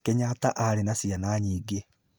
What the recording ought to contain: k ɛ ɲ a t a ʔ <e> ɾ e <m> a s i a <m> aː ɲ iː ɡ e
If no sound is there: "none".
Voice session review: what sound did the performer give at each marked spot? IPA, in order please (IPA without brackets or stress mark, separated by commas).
a, n, n